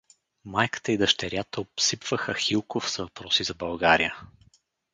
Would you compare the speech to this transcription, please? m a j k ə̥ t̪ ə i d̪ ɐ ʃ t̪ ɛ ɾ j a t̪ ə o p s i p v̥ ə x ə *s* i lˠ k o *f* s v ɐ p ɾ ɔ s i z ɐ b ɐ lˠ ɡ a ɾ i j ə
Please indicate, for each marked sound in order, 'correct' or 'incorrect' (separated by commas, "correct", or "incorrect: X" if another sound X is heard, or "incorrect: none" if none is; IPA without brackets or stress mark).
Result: incorrect: x, correct